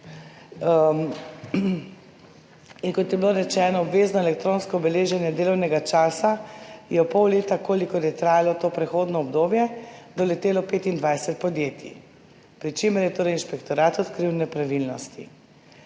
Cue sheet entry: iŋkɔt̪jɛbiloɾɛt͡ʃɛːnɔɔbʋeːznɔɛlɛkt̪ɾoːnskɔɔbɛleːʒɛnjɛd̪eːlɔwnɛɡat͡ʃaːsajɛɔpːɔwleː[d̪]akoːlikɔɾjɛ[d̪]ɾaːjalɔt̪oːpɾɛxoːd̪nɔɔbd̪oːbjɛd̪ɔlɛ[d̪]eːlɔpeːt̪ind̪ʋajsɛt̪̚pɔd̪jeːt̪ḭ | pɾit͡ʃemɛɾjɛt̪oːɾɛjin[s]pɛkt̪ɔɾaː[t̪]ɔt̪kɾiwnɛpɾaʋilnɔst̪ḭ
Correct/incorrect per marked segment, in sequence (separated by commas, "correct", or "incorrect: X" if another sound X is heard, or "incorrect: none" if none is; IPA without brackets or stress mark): incorrect: t̪, incorrect: t̪, incorrect: t̪, incorrect: ʃ, correct